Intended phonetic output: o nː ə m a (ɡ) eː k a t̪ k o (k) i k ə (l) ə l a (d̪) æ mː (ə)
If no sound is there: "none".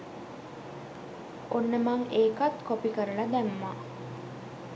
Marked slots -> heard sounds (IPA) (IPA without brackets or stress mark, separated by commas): ŋ, p, ɾ, d̪, a